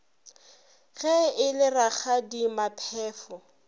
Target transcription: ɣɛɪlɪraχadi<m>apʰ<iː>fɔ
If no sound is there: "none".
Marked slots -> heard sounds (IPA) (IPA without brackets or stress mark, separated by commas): m, ɛː